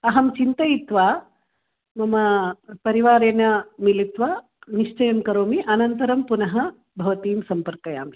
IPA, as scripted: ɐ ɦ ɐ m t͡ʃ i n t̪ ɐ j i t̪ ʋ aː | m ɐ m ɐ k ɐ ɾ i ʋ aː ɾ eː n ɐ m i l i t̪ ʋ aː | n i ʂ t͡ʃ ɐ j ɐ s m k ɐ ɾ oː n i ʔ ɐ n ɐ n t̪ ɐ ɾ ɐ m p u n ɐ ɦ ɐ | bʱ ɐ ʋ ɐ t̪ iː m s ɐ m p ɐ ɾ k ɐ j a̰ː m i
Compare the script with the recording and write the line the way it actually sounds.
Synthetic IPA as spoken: ɐ ɦ ɐ m t͡ʃ i n t̪ ɐ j i t̪ ʋ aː | m ɐ m ɐ p ɐ ɾ i ʋ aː ɾ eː n ɐ m i l i t̪ ʋ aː | n i ʂ t͡ʃ ɐ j ɐ m k ɐ ɾ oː m i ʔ ɐ n ɐ n t̪ ɐ ɾ ɐ m p u n ɐ ɦ ɐ | bʱ ɐ ʋ ɐ t̪ iː m s ɐ m p ɐ ɾ k ɐ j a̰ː m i

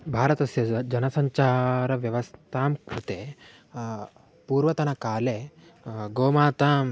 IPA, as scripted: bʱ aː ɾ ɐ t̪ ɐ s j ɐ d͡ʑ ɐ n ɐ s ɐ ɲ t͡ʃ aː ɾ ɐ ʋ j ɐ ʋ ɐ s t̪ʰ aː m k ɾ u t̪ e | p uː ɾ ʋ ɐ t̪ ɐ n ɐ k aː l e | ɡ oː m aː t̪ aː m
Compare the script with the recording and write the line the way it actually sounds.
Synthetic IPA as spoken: bʱ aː ɾ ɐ t̪ ɐ s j ɐ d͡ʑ ɐ n ɐ s ɐ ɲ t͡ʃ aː ɾ ɐ ʋ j ɐ ʋ ɐ s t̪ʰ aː m k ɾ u t̪ e | p uː ɾ ʋ ɐ t̪ ɐ n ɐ k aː l e | ɡ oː m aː t̪ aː m

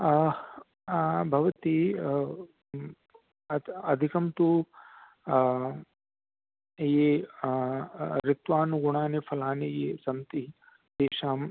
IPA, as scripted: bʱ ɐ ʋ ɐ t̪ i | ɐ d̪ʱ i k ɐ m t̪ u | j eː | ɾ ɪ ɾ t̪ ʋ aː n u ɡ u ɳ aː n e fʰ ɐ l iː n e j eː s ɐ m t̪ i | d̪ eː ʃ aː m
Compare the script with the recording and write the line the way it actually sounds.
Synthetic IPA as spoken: bʱ ɐ ʋ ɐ t̪ i | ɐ d̪ʱ i k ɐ m t̪ u | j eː | ɾ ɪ t̪ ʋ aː n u ɡ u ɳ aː n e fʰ ɐ l aː n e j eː s ɐ m t̪ i | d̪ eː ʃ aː m

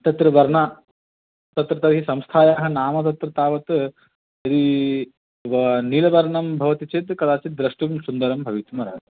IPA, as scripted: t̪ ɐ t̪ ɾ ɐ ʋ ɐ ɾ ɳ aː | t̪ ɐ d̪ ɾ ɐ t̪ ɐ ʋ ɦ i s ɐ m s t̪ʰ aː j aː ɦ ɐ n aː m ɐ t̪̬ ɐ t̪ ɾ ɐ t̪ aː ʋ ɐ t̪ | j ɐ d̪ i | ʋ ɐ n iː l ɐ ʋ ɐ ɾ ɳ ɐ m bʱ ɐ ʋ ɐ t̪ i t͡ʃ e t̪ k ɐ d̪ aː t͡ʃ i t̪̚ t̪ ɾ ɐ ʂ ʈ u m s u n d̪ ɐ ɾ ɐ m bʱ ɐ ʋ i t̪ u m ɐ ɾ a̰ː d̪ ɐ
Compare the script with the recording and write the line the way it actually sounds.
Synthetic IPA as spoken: t̪ ɐ t̪ ɾ ɐ ʋ ɐ ɾ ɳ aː | t̪ ɐ t̪ ɾ ɐ t̪ ɐ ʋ ɦ i s ɐ m s t̪ʰ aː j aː ɦ ɐ n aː m ɐ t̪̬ ɐ t̪ ɾ ɐ t̪ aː ʋ ɐ t̪ | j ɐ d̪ i | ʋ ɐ n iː l ɐ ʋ ɐ ɾ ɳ ɐ m bʱ ɐ ʋ ɐ t̪ i t͡ʃ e t̪ k ɐ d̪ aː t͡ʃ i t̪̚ d̪ ɾ ɐ ʂ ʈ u m s u n d̪ ɐ ɾ ɐ m bʱ ɐ ʋ i t̪ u m ɐ ɾ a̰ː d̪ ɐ

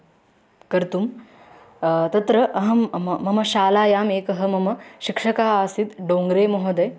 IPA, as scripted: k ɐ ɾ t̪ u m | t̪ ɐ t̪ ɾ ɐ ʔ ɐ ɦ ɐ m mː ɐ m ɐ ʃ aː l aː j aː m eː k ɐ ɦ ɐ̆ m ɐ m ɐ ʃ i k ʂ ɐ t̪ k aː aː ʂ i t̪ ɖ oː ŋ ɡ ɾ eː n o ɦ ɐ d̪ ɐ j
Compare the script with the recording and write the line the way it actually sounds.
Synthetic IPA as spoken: k ɐ ɾ t̪ u m | t̪ ɐ t̪ ɾ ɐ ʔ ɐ ɦ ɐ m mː ɐ m ɐ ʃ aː l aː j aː m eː k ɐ ɦ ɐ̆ m ɐ m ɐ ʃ i k ʂ ɐ k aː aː s i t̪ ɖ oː ŋ ɡ ɾ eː m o ɦ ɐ d̪ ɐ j

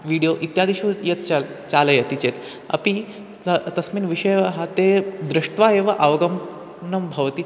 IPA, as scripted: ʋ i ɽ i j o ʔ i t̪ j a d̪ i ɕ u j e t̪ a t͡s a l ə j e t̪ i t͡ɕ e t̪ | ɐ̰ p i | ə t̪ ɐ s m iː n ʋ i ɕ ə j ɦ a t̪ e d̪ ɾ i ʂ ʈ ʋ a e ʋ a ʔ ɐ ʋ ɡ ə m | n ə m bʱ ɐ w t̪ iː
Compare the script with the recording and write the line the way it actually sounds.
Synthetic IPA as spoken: ʋ i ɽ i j o ʔ i t̪ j a d̪ i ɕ u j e t̪ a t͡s a l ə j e t̪ i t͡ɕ e t̪ | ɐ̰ p i | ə t̪ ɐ s m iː n ʋ i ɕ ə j ɦ a t̪ e d̪ ɾ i ʂ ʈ ʋ a e ʋ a ʔ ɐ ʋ ɡ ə m | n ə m bʱ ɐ ʋ t̪ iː

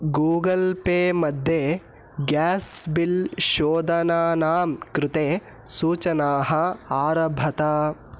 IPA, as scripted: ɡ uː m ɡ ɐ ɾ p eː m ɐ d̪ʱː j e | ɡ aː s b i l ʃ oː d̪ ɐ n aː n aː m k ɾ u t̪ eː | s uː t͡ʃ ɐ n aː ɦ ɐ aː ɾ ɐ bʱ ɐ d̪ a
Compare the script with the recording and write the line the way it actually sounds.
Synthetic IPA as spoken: ɡ uː ɡ ɐ l p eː m ɐ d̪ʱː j e | ɡ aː s b i l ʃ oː d̪ ɐ n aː n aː m k ɾ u t̪ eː | s uː t͡ʃ ɐ n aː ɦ ɐ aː ɾ ɐ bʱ ɐ t̪ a

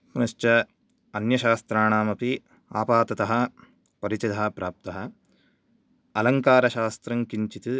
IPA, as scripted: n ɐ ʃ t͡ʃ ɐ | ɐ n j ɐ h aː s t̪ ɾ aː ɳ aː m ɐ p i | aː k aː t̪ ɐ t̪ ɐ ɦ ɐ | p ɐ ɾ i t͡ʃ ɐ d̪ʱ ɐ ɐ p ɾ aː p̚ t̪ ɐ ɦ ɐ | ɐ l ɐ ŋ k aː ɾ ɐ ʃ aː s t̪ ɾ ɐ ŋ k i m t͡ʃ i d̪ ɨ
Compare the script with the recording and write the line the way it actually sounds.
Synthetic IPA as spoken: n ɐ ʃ t͡ʃ ɐ | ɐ n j ɐ ʃ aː s t̪ ɾ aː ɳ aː m ɐ p i | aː p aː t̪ ɐ t̪ ɐ ɦ ɐ | p ɐ ɾ i t͡ʃ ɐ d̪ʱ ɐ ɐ p ɾ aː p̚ t̪ ɐ ɦ ɐ | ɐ l ɐ ŋ k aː ɾ ɐ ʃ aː s t̪ ɾ ɐ ŋ k i ɲ t͡ʃ i t̪ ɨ

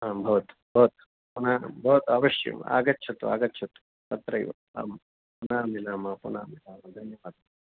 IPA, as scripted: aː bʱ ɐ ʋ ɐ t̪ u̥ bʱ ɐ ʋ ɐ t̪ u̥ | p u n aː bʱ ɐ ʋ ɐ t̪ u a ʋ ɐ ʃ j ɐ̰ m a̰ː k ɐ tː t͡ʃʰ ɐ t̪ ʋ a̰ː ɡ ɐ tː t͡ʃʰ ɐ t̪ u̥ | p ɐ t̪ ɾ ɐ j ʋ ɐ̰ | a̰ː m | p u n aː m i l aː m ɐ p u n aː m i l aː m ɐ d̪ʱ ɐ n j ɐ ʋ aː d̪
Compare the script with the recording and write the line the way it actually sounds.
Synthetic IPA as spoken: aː bʱ ɐ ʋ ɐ t̪ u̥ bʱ ɐ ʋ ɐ t̪ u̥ | p u n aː bʱ ɐ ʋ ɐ t̪ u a ʋ ɐ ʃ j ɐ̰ m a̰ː ɡ ɐ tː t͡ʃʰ ɐ t̪ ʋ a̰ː ɡ ɐ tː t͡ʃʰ ɐ t̪ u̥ | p ɐ t̪ ɾ ɐ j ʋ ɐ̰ | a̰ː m | p u n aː m i l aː m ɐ p u n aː m i l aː m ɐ d̪ʱ ɐ n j ɐ ʋ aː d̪

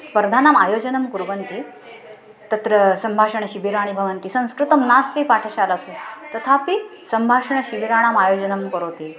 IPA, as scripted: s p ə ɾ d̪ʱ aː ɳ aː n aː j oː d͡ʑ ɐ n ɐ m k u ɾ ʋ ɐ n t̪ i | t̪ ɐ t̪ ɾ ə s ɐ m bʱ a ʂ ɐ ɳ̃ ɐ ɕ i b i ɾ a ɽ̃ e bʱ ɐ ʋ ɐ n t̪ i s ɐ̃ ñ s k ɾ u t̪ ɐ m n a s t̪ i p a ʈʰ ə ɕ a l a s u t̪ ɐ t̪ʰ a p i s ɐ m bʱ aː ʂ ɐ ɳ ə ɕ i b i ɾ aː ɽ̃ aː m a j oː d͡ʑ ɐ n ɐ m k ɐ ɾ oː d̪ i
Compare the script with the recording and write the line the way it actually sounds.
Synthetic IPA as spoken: s p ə ɾ d̪ʱ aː n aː m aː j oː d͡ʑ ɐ n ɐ m k u ɾ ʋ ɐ n t̪ i | t̪ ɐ t̪ ɾ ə s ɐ m bʱ a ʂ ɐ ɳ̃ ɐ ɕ i b i ɾ a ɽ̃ i bʱ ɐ ʋ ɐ n t̪ i s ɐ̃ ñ s k ɾ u t̪ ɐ m n a s t̪ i p a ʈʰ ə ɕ a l a s u t̪ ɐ t̪ʰ a p i s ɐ m bʱ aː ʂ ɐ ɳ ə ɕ i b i ɾ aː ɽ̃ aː m a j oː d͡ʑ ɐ n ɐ m k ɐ ɾ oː t̪ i

